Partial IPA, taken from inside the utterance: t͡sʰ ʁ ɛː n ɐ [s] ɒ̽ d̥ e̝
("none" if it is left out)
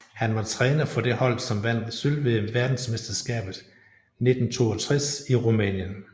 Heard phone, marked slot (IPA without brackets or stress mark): f